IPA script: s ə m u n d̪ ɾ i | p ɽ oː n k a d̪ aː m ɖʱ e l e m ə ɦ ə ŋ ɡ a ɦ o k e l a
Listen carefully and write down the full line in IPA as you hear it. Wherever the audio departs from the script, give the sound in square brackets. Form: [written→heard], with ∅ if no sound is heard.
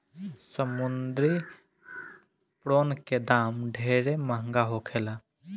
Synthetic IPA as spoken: s ə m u n d̪ ɾ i | p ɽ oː n k [a→e] d̪ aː m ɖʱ e [l→ɾ] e m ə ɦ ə ŋ ɡ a ɦ o [k→kʰ] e l a